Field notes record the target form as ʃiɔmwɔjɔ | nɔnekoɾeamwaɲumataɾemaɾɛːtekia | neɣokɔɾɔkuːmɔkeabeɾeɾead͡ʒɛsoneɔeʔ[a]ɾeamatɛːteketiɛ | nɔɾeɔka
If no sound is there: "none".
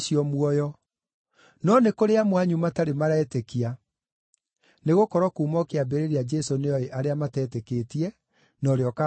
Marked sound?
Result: a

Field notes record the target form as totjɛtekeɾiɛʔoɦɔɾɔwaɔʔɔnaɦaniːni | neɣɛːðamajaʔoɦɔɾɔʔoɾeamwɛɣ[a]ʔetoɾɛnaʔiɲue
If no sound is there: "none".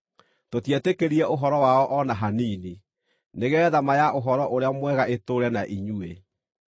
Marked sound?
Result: a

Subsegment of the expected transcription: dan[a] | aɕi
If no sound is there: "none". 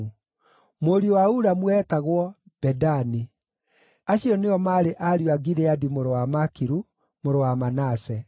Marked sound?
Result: i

